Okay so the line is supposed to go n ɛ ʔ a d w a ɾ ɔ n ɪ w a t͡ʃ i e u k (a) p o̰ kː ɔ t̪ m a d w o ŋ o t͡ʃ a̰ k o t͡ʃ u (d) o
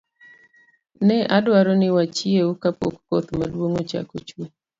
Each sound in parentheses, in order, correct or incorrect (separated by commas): correct, incorrect